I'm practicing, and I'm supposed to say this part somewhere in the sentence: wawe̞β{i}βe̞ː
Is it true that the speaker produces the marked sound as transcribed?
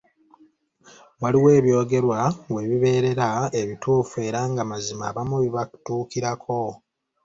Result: yes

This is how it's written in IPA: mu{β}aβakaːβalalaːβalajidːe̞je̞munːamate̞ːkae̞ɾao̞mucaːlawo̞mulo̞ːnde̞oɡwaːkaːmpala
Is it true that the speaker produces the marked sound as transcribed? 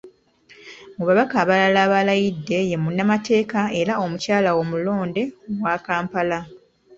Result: yes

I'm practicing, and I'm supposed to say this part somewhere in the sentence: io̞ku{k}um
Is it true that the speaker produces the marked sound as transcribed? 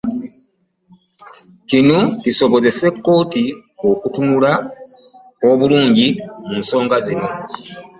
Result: no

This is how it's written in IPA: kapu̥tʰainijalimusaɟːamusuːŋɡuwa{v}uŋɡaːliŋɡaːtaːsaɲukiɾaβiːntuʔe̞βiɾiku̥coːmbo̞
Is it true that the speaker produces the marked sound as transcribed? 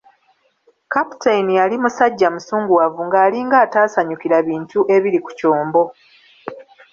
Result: yes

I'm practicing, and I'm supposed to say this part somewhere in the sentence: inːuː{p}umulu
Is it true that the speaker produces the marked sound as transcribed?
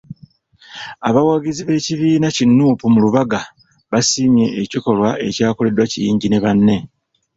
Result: yes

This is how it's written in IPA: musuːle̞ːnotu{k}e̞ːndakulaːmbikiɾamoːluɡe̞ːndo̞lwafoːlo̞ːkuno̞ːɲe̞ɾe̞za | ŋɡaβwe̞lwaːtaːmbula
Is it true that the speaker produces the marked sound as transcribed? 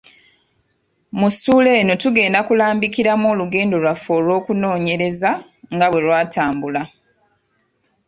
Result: no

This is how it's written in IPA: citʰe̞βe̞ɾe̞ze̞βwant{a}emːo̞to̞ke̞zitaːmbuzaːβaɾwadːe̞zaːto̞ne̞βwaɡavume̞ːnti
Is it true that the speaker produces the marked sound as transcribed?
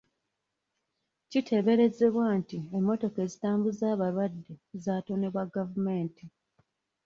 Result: no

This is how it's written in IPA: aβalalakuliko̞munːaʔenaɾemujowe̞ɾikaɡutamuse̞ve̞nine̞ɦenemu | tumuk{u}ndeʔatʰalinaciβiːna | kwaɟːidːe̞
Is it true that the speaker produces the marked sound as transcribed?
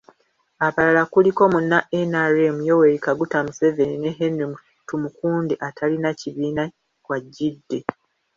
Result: no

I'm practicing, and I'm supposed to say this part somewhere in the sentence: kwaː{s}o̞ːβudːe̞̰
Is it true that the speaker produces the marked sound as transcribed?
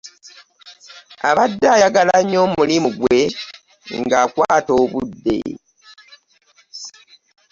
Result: no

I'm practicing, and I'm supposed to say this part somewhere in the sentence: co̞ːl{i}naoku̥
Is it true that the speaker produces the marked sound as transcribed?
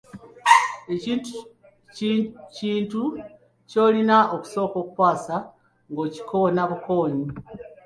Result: yes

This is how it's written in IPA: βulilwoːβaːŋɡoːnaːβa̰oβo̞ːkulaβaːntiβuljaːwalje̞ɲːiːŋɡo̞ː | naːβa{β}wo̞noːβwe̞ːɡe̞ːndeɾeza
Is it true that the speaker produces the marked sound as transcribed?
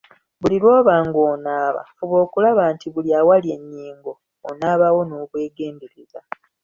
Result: no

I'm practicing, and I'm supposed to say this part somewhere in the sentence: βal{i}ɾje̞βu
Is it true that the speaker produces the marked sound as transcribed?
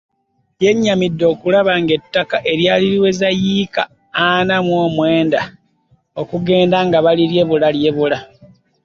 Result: yes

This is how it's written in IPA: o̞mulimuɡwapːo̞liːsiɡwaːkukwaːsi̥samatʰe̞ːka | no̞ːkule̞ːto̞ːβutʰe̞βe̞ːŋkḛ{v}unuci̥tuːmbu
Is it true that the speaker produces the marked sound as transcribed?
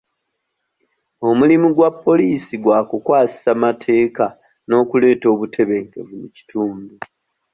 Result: yes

